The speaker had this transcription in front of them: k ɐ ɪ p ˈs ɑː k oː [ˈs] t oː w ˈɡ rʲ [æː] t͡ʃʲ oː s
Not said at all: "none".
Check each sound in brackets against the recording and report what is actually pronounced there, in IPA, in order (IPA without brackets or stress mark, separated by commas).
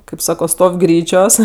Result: s, iː